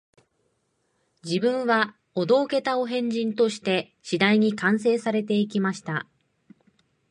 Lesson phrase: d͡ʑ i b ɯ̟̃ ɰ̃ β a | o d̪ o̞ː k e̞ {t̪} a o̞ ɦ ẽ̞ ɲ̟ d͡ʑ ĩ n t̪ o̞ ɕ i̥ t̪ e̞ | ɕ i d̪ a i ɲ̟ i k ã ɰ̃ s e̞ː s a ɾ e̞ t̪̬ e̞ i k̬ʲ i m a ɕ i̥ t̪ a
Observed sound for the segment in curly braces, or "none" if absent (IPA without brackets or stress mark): t̪